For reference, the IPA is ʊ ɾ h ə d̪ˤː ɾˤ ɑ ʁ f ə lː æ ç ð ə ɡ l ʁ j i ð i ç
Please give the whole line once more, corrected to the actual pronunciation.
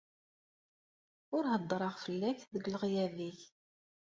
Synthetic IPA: ʊ ɾ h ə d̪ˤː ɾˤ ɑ ʁ f ə lː æ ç ð ə ɡ l ʁ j æ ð i ç